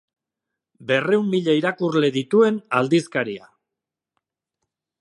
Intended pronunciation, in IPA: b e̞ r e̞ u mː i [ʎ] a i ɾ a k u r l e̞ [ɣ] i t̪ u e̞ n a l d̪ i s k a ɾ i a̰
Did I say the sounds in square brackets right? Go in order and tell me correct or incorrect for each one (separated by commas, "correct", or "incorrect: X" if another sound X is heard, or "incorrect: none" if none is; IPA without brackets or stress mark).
correct, incorrect: ð